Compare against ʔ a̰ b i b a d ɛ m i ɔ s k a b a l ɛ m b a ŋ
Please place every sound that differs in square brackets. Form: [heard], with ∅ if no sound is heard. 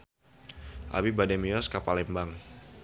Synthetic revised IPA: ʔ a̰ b i b a d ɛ m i ɔ s k a [p] a l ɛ m b a ŋ